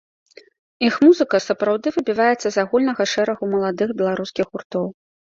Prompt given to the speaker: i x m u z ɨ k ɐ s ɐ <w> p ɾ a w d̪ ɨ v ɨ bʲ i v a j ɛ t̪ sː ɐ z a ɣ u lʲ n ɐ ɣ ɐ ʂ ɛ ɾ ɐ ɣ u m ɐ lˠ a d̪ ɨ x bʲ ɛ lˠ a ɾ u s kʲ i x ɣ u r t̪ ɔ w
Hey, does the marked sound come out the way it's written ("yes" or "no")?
no